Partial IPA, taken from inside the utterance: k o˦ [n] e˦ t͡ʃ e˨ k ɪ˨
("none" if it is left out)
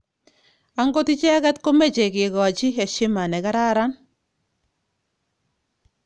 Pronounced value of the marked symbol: m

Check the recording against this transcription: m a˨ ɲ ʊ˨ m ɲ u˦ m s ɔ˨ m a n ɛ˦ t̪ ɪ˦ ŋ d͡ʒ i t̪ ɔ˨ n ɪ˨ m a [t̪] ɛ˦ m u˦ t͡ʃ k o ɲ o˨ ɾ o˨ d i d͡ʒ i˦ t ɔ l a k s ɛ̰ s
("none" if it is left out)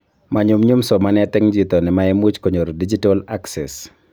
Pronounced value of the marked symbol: none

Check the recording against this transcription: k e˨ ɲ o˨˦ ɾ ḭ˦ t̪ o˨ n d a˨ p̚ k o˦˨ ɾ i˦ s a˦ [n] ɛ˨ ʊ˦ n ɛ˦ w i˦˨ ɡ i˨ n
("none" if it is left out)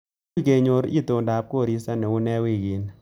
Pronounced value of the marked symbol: n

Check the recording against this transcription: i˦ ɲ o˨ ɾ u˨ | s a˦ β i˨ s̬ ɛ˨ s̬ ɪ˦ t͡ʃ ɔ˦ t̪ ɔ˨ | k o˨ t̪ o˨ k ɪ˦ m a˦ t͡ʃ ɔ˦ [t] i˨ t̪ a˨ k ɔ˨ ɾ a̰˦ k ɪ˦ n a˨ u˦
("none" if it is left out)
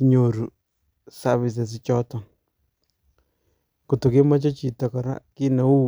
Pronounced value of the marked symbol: t͡ʃ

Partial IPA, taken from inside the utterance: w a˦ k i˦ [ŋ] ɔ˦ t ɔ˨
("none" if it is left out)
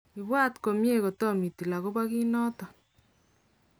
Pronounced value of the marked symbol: n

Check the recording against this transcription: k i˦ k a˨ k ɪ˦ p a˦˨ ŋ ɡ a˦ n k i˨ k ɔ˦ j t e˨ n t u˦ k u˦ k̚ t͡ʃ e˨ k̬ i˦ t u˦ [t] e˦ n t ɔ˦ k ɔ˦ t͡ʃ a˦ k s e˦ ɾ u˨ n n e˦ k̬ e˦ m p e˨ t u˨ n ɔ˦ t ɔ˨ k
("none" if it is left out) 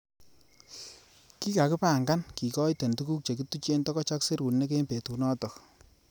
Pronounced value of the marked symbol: t͡ʃ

